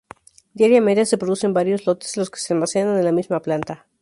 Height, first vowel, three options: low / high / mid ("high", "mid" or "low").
low